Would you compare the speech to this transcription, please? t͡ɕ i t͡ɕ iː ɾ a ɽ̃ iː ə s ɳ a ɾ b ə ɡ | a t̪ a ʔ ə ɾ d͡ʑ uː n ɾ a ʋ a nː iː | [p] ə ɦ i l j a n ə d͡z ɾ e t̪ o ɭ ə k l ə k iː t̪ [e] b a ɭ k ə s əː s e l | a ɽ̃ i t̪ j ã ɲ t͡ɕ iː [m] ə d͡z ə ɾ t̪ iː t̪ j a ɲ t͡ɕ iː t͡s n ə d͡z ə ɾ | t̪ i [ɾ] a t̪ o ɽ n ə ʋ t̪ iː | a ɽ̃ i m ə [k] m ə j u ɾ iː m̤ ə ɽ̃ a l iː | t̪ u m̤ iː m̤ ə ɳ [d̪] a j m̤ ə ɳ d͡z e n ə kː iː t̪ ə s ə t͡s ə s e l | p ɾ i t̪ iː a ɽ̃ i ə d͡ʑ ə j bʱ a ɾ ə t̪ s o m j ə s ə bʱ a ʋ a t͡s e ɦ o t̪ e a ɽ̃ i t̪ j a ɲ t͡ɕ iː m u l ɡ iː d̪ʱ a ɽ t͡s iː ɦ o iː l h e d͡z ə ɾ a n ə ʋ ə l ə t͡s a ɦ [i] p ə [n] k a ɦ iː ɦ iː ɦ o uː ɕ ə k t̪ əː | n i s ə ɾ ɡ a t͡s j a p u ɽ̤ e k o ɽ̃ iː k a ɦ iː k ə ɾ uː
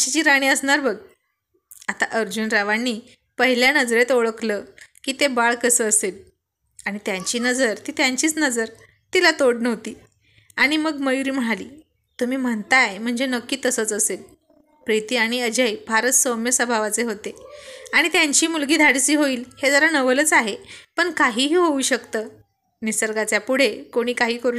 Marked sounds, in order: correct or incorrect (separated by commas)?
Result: correct, correct, incorrect, incorrect, incorrect, incorrect, incorrect, incorrect